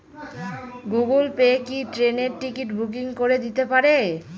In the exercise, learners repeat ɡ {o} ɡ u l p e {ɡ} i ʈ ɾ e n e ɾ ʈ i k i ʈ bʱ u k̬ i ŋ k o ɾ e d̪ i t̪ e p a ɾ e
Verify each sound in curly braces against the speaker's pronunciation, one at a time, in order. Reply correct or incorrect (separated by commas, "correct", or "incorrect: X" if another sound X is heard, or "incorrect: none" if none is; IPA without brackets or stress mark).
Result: incorrect: u, incorrect: k